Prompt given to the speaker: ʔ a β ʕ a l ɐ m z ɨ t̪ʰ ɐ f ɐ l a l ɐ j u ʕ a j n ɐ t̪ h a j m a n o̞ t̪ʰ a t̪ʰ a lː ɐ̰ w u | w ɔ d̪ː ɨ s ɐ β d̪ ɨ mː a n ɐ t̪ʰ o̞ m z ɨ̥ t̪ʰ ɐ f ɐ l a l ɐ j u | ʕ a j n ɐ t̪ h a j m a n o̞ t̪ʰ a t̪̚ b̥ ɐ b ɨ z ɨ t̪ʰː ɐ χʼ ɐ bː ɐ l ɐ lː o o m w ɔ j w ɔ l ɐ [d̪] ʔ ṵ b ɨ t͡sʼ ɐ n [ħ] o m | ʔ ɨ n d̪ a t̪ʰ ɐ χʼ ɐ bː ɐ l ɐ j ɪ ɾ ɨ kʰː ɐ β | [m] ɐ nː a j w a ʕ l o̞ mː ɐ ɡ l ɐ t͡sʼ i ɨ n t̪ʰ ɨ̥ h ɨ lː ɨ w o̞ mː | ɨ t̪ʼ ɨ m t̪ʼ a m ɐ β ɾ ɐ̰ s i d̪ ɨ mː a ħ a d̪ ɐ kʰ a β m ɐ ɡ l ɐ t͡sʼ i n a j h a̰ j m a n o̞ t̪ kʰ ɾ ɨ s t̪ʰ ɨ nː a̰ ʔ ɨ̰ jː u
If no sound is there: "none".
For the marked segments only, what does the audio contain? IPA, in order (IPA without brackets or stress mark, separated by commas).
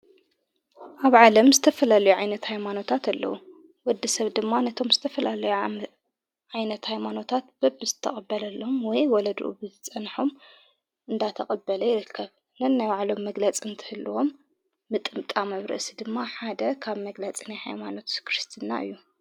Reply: d̪, ħ, n